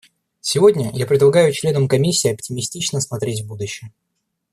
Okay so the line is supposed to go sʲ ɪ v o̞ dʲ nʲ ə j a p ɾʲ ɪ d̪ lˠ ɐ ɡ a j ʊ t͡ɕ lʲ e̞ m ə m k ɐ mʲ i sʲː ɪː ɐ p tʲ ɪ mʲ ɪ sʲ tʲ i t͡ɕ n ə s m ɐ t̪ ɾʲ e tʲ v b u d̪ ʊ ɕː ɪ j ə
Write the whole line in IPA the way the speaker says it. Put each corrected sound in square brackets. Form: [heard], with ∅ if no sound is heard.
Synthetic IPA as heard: sʲ ɪ v o̞ dʲ nʲ ə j a p ɾʲ ɪ d̪ lˠ ɐ ɡ a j ʊ t͡ɕ lʲ e̞ [n] ə m k ɐ mʲ i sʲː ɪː ɐ p tʲ ɪ mʲ ɪ sʲ tʲ i t͡ɕ n ə s m ɐ t̪ ɾʲ e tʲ v b u d̪ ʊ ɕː ɪ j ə